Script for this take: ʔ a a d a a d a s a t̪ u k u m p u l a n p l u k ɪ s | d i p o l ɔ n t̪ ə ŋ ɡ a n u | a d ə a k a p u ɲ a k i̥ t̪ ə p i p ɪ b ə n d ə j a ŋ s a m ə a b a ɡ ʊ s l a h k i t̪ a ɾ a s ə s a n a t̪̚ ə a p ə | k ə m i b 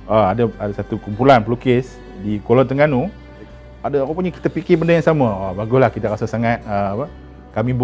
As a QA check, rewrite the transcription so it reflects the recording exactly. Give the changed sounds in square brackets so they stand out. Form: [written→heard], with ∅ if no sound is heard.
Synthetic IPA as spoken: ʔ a a d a a d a s a t̪ u k u m p u l a n p l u k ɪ s | d i [p→k] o l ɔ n t̪ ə ŋ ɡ a n u | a d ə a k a p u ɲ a k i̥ t̪ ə p i [p→k] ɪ b ə n d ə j a ŋ s a m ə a b a ɡ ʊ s l a h k i t̪ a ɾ a s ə s a [n→ŋ] a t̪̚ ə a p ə | k [ə→a] m i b